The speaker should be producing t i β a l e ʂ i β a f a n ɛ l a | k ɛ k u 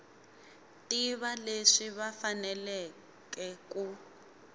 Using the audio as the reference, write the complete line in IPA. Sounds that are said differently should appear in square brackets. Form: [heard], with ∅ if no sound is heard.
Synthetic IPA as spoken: t i β a l e ʂ i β a f a n ɛ l [ɛ] | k ɛ k u